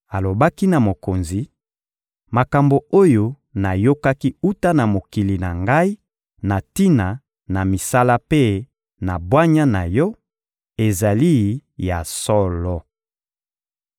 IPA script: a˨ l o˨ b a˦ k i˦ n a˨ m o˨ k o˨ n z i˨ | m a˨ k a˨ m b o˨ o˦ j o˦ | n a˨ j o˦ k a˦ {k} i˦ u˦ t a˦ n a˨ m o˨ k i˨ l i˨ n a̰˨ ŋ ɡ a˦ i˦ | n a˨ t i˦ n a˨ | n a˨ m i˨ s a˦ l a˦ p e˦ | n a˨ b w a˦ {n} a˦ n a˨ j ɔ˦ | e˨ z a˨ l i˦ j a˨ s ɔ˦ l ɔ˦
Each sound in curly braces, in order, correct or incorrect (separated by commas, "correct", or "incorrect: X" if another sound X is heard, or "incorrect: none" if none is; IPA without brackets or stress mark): correct, incorrect: ɲ